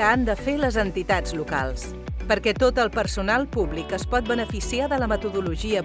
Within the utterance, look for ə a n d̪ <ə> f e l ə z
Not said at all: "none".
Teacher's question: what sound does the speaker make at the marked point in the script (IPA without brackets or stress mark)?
ə